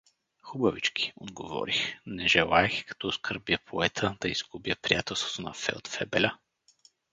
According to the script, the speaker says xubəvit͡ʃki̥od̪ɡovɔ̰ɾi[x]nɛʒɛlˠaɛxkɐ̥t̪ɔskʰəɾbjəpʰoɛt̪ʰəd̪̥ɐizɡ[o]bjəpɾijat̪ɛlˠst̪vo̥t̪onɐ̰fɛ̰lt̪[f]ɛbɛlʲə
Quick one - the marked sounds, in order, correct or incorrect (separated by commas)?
correct, incorrect, correct